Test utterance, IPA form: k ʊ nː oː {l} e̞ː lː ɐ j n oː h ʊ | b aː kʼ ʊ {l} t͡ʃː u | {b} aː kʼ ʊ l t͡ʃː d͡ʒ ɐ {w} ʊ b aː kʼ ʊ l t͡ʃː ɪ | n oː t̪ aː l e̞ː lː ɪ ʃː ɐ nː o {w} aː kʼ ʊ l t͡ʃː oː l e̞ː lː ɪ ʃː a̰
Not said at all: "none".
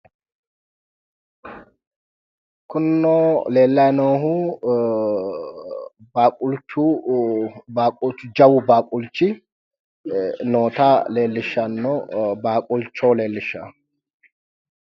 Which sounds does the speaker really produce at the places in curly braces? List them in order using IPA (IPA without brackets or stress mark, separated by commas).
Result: l, l, b, w, b